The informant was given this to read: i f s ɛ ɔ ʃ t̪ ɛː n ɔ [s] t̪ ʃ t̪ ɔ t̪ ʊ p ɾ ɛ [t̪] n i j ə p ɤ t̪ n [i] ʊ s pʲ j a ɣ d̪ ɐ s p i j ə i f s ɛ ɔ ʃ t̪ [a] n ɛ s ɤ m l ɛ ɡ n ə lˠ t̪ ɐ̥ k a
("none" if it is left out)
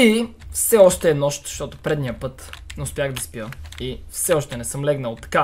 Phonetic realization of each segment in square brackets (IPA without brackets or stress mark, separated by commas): ʃ, d̪, ɛ, ɛ